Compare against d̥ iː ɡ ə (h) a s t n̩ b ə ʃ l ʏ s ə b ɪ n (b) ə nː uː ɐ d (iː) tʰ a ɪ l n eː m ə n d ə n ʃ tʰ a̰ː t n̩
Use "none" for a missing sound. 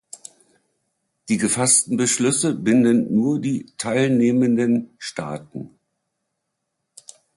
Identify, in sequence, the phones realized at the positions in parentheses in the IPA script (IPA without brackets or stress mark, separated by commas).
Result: f, d, iː